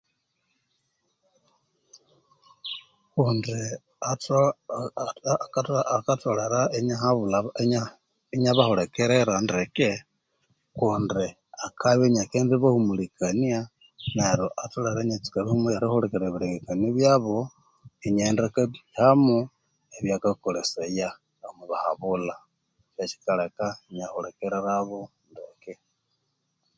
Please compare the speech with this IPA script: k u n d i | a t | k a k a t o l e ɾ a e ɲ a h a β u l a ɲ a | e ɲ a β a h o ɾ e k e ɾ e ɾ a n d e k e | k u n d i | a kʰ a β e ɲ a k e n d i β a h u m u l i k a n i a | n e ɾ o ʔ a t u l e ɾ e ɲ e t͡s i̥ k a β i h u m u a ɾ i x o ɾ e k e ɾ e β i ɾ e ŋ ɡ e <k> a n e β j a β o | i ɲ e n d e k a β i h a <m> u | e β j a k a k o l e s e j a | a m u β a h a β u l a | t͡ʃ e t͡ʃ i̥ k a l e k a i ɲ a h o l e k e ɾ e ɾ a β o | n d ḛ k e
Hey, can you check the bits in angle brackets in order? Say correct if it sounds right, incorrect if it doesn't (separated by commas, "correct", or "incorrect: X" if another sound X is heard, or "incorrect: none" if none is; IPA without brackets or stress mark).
correct, correct